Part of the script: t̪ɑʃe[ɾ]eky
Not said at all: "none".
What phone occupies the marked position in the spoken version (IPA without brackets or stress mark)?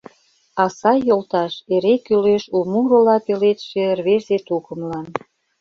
ɾ